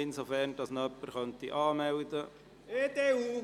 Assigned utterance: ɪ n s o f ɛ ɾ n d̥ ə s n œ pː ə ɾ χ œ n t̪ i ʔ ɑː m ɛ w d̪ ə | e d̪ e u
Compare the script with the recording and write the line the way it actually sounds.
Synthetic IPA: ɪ n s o f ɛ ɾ n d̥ ɑ s n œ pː ə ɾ χ œ n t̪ i ʔ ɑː m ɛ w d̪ ə | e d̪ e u

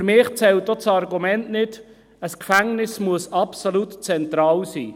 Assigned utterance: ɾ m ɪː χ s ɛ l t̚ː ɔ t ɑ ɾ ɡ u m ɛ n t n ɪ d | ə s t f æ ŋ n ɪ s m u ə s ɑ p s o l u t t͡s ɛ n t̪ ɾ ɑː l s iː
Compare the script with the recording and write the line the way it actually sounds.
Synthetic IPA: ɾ m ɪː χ t͡s ɛ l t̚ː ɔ t͡s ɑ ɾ ɡ u m ɛ n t n ɪ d | ə s k f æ ŋ n ɪ s m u ə s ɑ p s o l u t t͡s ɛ n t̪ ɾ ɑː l s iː

